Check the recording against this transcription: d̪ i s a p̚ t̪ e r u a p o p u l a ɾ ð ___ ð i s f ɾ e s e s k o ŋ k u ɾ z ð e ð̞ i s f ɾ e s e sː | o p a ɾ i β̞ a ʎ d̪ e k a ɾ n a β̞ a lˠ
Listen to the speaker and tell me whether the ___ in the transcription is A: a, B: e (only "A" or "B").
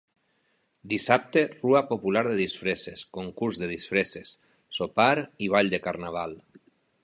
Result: B